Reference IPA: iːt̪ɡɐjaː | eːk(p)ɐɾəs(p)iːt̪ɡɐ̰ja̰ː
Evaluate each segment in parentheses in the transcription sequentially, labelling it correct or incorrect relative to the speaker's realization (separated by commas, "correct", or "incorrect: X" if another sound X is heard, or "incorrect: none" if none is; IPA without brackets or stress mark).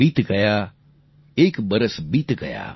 incorrect: b, incorrect: b